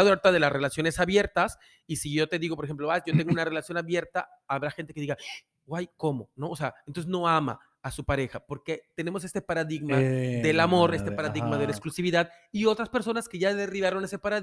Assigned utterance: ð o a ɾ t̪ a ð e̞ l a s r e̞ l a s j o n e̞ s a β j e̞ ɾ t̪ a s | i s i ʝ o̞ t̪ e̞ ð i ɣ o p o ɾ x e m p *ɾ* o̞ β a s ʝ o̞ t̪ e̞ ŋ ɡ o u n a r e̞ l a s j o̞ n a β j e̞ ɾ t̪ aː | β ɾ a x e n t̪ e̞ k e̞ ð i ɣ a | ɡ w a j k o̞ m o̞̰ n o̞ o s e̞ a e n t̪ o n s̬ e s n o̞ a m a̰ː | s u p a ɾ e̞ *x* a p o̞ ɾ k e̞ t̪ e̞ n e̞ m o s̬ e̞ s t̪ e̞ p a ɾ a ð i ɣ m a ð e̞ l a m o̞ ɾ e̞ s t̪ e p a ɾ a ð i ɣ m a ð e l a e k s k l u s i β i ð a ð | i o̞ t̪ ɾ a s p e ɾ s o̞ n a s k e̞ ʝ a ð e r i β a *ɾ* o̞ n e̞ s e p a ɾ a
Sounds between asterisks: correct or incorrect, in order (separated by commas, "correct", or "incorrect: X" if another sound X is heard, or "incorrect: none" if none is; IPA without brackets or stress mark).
incorrect: l, correct, correct